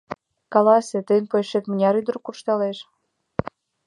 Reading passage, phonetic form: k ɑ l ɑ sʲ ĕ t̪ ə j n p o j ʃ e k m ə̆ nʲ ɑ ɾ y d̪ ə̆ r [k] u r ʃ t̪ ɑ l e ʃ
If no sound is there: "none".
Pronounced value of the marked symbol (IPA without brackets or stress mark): k